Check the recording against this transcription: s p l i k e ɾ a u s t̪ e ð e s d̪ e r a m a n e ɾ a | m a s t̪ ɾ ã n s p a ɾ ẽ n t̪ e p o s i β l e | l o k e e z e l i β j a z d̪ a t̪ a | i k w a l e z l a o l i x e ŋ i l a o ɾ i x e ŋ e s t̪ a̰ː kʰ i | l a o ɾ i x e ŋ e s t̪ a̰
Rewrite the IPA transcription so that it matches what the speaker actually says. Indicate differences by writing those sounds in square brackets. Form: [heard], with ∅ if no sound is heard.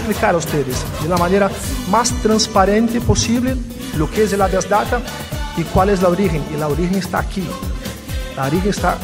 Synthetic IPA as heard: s p l i k [a] ɾ a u s t̪ e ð e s d̪ e [l] a m a n e ɾ a | m a s t̪ ɾ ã n s p a ɾ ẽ n t̪ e p o s i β l e | l o k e e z e l [a] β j a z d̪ a t̪ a | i k w a l e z l a o [ɾ] i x e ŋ i l a o ɾ i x e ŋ e s t̪ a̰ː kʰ i | l a o ɾ i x e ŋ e s t̪ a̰